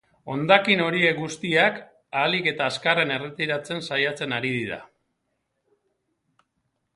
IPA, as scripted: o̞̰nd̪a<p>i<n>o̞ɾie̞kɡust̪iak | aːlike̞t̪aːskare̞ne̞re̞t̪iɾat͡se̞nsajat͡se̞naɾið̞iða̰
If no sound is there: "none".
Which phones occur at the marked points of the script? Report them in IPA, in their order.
k, n

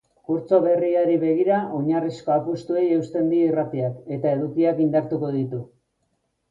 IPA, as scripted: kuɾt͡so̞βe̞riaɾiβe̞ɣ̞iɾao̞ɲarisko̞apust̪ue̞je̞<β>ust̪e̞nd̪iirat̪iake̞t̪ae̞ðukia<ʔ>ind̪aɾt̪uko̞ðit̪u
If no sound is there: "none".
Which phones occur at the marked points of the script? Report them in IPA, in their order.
none, k

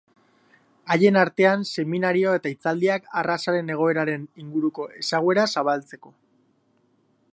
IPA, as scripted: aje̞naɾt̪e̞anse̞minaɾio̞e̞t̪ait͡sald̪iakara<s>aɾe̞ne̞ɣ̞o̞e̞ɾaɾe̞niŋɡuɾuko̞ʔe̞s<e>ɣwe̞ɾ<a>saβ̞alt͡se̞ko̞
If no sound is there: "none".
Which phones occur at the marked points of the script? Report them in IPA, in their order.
s, a, a

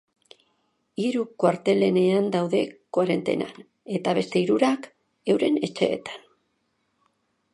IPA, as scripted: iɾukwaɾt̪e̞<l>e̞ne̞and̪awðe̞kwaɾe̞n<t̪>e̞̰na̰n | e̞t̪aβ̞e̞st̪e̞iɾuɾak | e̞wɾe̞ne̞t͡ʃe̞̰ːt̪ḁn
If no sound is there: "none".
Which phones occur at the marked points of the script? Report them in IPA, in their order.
l, t̪

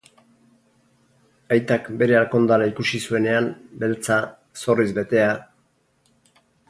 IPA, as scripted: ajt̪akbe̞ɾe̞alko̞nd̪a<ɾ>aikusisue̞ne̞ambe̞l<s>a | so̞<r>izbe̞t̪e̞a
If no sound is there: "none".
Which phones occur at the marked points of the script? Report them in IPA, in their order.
ɾ, t͡s, r

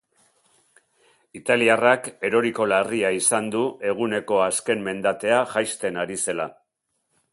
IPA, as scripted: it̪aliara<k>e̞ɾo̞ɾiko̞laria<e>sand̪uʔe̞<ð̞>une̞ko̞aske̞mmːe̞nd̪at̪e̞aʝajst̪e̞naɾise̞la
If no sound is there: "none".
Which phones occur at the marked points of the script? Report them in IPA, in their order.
k, i, ɣ̞

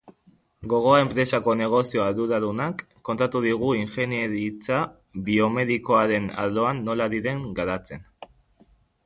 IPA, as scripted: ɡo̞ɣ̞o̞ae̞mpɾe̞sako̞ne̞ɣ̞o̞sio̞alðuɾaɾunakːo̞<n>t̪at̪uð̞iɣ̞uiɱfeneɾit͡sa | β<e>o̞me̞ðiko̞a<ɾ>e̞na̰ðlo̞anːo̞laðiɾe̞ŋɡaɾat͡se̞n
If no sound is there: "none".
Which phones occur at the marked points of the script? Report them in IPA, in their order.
n, i, ɾ

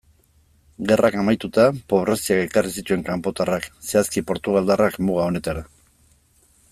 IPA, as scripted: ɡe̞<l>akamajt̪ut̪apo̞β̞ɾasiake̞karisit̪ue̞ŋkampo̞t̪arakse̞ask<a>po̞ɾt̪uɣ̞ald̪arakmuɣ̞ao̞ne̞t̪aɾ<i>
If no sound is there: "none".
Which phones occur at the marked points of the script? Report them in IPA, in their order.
r, i, a

